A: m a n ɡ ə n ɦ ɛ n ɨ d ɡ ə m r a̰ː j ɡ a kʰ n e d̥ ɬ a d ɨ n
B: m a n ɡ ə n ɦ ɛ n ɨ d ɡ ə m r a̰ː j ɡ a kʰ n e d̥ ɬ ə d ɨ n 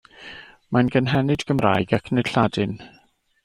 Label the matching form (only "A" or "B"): A